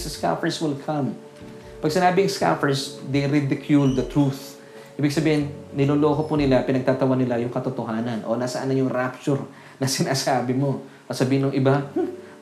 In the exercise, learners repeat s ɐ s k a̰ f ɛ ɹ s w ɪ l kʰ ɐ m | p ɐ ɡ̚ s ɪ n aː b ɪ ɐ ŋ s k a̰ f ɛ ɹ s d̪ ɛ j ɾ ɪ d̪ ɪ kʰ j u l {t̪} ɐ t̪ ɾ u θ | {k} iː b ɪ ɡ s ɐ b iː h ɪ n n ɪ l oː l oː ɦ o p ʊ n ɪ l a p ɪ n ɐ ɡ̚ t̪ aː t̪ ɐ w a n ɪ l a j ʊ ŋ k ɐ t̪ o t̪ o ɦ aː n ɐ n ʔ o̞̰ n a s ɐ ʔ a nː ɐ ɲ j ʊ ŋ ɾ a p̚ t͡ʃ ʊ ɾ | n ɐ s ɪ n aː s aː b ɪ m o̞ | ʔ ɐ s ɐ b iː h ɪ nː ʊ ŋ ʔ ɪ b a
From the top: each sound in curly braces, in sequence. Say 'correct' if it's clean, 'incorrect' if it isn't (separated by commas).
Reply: incorrect, incorrect